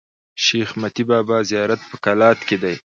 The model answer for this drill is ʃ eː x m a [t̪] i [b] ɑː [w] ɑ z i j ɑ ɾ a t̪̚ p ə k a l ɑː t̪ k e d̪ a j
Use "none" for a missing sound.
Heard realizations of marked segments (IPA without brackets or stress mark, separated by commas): t̪, b, b